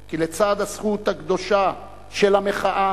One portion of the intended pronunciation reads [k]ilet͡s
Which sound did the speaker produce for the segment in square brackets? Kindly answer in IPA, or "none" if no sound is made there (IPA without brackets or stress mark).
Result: k